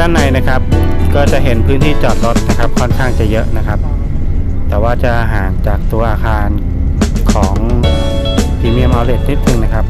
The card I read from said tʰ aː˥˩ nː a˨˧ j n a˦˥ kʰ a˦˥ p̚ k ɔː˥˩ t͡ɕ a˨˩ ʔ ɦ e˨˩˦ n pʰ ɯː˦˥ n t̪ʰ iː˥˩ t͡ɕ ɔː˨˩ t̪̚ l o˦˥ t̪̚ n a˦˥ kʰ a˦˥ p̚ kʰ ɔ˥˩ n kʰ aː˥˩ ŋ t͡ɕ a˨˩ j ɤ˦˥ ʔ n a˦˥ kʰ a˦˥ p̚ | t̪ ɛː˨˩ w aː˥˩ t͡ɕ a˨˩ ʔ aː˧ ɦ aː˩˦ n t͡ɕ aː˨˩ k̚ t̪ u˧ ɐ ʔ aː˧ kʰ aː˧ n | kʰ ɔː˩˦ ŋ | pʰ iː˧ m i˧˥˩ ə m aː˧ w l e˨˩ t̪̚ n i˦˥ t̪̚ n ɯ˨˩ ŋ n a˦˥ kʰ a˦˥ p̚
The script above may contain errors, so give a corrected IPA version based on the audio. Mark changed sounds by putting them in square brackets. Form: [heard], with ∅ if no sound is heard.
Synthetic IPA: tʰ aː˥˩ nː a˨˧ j n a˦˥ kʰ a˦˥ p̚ k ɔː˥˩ t͡ɕ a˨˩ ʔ ɦ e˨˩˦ n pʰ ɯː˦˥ n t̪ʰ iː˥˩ t͡ɕ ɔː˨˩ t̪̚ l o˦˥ t̪̚ n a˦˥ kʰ a˦˥ p̚ kʰ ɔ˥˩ n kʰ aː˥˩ ŋ t͡ɕ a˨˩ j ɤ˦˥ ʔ n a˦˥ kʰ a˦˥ p̚ | t̪ ɛː˨˩ w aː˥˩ t͡ɕ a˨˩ ʔ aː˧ ɦ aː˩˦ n t͡ɕ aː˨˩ k̚ t̪ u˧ ɐ ʔ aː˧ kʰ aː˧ n | kʰ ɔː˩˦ ŋ | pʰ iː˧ m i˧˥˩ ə m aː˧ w l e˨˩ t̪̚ n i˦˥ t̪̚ n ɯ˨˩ ŋ n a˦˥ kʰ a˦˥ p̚